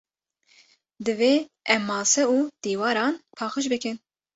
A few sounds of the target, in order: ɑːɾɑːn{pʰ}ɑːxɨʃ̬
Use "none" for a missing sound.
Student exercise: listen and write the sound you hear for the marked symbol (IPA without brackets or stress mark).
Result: pʰ